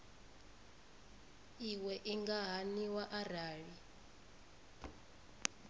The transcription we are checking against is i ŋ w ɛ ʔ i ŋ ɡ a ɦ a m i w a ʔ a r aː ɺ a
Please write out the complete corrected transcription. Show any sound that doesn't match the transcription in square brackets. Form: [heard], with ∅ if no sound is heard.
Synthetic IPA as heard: i [∅] w ɛ ʔ i ŋ ɡ a ɦ a [n] i w a ʔ a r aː ɺ [i]